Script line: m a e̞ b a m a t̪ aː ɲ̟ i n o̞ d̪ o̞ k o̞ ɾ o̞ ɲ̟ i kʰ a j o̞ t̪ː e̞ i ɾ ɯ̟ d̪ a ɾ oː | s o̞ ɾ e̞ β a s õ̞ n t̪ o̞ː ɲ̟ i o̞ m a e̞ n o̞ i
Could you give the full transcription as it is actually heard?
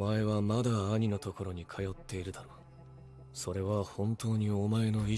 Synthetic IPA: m a e̞ β a m a d̪ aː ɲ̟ i n o̞ t̪ o̞ k o̞ ɾ o̞ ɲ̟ i kʰ a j o̞ t̪ː e̞ i ɾ ɯ̟ d̪ a ɾ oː | s o̞ ɾ e̞ β a h õ̞ n t̪ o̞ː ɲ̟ i o̞ m a e̞ n o̞ i